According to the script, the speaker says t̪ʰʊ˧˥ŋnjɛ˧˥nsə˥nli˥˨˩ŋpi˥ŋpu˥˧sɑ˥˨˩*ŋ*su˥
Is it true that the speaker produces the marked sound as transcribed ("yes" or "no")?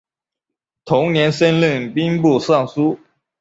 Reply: yes